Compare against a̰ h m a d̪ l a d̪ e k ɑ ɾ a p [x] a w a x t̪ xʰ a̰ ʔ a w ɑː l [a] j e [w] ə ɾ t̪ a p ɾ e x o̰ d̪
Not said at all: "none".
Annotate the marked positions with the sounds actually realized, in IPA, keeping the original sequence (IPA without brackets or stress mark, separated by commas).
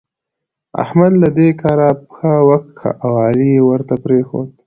x, i, w